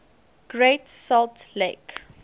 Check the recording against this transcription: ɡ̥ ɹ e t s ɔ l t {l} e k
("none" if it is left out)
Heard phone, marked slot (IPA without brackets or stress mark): l